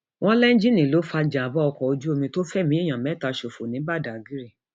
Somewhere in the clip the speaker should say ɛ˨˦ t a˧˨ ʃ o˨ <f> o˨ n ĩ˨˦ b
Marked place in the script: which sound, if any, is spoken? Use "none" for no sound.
f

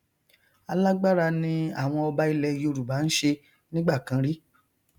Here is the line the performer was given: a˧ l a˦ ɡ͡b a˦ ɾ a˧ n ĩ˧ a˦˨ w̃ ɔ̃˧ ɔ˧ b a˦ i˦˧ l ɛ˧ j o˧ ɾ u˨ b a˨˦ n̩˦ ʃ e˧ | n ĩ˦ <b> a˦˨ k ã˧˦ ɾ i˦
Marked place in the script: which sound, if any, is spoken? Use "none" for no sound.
ɡ͡b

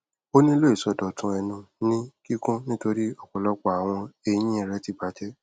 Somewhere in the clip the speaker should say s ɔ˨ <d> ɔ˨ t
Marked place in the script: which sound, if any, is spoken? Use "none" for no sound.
d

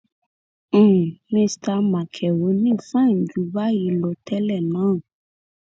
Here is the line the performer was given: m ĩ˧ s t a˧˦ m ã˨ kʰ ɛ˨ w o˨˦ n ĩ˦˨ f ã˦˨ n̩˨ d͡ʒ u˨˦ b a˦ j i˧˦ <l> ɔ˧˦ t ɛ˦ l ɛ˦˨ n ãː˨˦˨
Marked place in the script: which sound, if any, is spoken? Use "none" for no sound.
l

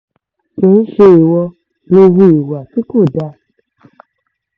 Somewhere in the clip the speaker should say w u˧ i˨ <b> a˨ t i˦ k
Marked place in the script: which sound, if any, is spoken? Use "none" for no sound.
w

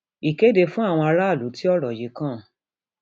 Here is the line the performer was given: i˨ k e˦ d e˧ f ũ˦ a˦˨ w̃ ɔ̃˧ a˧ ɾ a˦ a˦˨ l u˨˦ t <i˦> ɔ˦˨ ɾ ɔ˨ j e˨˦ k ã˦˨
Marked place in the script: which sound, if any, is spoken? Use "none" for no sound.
i˦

